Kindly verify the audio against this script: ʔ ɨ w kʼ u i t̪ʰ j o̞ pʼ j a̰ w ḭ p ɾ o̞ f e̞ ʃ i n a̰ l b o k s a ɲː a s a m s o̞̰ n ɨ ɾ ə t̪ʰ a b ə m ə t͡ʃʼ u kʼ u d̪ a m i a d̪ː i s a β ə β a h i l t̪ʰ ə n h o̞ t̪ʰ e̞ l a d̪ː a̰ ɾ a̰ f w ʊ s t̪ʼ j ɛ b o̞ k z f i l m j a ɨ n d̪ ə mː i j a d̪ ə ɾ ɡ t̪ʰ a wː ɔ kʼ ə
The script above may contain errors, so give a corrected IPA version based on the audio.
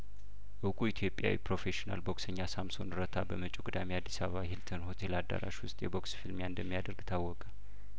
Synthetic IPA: ʔ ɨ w kʼ u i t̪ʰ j o̞ pʼ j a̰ w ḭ p ɾ o̞ f e̞ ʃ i n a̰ l b o k s ə ɲː a s a m s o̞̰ n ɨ ɾ ə t̪ʰ a b ə m ə t͡ʃʼ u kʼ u d̪ a m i a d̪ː i s a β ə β a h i l t̪ʰ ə n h o̞ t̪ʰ e̞ l a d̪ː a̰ ɾ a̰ ʃ w ʊ s t̪ʼ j ɛ b o̞ k s f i l m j a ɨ n d̪ ə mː i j a d̪ ə ɾ ɡ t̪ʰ a wː ɔ kʼ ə

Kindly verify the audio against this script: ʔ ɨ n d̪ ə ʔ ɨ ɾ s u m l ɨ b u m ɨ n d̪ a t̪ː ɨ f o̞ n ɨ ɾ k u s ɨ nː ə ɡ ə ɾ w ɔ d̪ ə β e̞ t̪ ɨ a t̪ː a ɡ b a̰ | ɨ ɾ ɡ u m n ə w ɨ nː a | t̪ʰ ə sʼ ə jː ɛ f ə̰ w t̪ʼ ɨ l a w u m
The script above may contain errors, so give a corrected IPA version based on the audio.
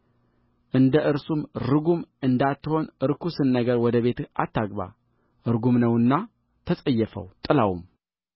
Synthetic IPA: ʔ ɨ n d̪ ə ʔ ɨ ɾ s u m ɾ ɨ ɡ u m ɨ n d̪ a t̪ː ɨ h o̞ n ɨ ɾ k u s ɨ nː ə ɡ ə ɾ w ɔ d̪ ə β e̞ t̪ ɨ a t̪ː a ɡ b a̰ | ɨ ɾ ɡ u m n ə w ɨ nː a | t̪ʰ ə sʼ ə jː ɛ f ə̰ w t̪ʼ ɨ l a w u m

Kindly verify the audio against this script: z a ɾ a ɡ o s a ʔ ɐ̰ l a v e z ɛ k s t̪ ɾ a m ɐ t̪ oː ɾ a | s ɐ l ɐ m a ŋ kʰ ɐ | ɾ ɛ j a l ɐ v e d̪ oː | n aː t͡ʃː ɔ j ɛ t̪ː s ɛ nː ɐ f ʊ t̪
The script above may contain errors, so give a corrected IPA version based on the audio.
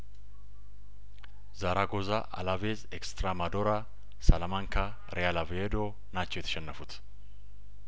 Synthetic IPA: z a ɾ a ɡ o z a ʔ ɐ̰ l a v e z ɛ k s t̪ ɾ a m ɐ d̪ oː ɾ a | s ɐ l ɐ m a ŋ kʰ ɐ | ɾ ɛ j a l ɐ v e d̪ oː | n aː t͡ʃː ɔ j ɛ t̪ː ʃ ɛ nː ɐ f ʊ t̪

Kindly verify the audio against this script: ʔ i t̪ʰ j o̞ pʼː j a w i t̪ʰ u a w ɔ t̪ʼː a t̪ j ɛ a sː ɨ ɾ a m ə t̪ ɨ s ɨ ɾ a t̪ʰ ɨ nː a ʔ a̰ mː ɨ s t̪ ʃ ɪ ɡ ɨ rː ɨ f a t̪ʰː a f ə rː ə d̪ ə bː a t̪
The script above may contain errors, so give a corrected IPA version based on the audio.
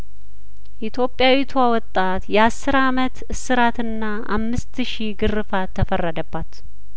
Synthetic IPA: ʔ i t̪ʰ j o̞ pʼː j a w i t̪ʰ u a w ɔ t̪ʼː a t̪ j ɛ a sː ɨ ɾ a m ə t̪ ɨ s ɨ ɾ a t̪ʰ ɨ nː a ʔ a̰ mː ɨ s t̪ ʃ i ɡ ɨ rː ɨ f a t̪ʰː ə f ə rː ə d̪ ə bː a t̪

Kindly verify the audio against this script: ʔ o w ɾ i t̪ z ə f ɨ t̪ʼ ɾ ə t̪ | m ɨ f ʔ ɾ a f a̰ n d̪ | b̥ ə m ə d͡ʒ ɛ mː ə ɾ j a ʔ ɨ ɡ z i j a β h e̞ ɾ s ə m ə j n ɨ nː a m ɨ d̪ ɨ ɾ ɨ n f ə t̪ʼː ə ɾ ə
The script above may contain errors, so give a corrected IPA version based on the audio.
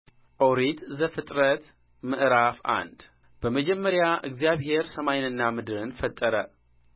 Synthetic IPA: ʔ o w ɾ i t̪ z ə f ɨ t̪ʼ ɾ ə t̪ | m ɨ ʔ ɾ a f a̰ n d̪ | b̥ ə m ə d͡ʒ ɛ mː ə ɾ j a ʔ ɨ ɡ z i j a β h e̞ ɾ s ə m a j n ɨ nː a m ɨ d̪ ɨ ɾ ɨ n f ə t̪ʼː ə ɾ ə

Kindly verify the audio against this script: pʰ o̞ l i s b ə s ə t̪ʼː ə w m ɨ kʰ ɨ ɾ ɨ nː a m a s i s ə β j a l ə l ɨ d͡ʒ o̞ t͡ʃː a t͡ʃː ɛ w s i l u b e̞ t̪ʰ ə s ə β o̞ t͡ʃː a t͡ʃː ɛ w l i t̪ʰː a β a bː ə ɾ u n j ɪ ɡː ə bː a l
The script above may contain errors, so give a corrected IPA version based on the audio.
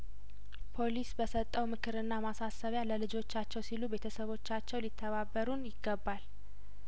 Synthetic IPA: pʰ o̞ l i s b ə s ə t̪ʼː ə w m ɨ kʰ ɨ ɾ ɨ nː a m a s a s ə β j a l ə l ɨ d͡ʒ o̞ t͡ʃː a t͡ʃː ɛ w s i l u b e̞ t̪ʰ ə s ə β o̞ t͡ʃː a t͡ʃː ɛ w l i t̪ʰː ə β a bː ə ɾ u n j ɪ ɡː ə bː a l

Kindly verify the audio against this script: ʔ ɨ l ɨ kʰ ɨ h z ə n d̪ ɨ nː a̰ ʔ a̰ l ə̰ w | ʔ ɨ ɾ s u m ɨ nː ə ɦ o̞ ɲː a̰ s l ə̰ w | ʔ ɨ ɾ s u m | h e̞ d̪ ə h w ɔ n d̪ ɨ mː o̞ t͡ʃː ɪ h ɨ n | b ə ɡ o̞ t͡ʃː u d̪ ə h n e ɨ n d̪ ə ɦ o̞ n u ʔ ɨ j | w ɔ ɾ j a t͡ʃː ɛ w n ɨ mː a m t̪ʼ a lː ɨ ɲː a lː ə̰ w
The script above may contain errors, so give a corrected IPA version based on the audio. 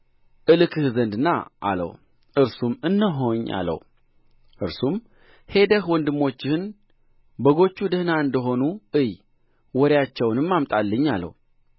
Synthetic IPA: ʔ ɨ l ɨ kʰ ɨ h z ə n d̪ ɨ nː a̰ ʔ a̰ l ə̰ w | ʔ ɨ ɾ s u m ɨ nː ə ɦ o̞ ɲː a̰ l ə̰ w | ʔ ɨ ɾ s u m | h e̞ d̪ ə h w ɔ n d̪ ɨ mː o̞ t͡ʃː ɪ h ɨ n | b ə ɡ o̞ t͡ʃː u d̪ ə h n a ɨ n d̪ ə ɦ o̞ n u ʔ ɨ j | w ɔ ɾ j a t͡ʃː ɛ w n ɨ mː a m t̪ʼ a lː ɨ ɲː a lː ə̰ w

